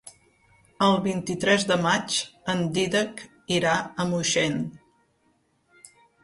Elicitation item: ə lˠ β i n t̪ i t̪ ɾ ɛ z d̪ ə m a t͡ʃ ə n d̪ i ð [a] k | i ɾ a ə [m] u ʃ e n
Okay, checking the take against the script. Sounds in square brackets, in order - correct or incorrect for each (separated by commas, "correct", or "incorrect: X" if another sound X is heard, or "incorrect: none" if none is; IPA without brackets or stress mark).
incorrect: ə, correct